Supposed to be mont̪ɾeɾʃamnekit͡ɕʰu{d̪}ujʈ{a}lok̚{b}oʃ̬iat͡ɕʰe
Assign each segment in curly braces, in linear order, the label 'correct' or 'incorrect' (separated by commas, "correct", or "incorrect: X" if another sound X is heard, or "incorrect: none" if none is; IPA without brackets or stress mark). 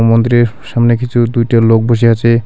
correct, correct, correct